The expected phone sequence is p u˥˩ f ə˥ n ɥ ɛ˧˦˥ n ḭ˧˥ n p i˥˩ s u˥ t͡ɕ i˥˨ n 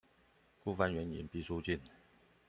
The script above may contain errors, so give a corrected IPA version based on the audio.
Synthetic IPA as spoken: k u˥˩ f a˥ n ɥ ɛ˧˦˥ n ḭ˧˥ n p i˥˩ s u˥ t͡ɕ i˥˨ n